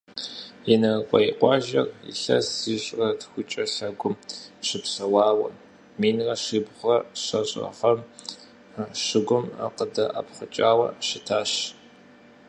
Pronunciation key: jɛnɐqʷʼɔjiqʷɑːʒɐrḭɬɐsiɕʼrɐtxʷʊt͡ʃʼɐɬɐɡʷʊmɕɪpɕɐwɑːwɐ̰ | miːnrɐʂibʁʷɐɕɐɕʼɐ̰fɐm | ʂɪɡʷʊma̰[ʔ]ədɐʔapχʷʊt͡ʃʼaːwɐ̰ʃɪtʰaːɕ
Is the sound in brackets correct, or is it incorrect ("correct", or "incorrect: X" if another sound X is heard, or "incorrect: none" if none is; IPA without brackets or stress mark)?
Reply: incorrect: q